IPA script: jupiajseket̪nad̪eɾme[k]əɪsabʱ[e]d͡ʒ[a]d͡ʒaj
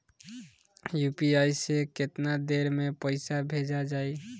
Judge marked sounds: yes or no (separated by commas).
no, yes, yes